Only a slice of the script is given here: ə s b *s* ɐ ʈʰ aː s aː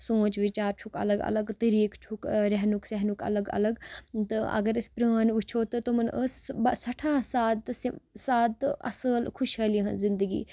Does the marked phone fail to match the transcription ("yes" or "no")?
no